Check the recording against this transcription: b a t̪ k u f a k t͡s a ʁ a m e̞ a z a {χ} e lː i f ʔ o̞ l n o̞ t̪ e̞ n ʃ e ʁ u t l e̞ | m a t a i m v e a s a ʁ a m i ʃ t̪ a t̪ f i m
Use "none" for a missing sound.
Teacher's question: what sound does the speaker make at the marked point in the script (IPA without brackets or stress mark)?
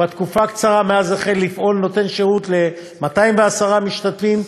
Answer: χ